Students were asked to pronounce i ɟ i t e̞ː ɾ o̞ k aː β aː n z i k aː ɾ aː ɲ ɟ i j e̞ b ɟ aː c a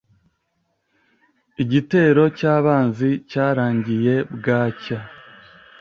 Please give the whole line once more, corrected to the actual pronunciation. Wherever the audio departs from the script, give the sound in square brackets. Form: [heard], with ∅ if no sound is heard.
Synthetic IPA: i ɟ i t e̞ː ɾ o̞ [c] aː β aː n z i [c] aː ɾ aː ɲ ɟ i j e̞ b [ɡ] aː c a